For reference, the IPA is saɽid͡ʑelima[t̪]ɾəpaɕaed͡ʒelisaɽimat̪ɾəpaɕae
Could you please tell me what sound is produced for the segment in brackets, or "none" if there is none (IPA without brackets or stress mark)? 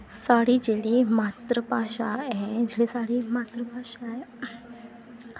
t̪